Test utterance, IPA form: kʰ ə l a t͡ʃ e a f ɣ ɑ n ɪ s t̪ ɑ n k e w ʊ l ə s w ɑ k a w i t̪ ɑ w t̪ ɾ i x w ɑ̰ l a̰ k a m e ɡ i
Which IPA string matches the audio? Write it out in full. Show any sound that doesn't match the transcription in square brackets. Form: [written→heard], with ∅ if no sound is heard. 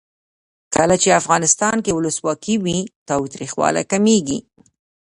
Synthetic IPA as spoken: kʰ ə l a t͡ʃ e a f ɣ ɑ n ɪ s t̪ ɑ n k e w ʊ l ə s w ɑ k [a→i] w i t̪ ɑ w t̪ ɾ i x w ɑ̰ l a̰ k a m e ɡ i